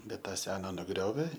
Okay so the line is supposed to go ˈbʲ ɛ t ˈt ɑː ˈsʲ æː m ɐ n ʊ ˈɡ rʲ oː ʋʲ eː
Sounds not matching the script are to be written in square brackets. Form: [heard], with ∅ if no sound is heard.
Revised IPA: ˈbʲ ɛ t ˈt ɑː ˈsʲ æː [n] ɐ n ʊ ˈɡ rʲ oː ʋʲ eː